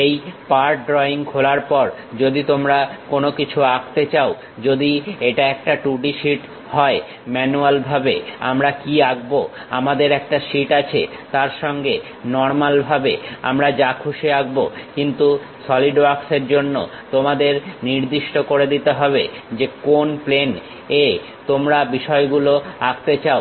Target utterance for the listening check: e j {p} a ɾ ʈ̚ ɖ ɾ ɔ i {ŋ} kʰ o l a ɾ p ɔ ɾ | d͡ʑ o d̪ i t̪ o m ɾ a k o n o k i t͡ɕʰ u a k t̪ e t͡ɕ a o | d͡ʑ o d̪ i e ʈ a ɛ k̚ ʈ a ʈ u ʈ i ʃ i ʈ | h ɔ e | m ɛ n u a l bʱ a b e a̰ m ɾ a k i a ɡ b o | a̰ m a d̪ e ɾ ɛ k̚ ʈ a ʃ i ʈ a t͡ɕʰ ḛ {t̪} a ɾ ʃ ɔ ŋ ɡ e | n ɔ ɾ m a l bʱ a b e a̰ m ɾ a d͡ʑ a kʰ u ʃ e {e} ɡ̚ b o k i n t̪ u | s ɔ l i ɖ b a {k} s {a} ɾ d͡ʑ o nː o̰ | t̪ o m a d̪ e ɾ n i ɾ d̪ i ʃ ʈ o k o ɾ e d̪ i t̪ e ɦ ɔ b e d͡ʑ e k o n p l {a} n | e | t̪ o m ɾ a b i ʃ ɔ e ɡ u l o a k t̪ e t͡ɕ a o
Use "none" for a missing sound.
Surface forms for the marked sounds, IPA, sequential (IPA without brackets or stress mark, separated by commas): p, ŋ, t̪, a, k, e, e